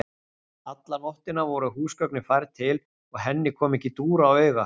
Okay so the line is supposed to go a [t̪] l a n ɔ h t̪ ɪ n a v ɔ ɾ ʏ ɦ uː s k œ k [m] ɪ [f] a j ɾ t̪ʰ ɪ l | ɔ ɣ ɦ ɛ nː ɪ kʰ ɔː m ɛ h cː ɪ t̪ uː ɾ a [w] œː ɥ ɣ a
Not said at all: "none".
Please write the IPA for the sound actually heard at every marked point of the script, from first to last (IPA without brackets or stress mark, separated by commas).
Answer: t̪, n, f, w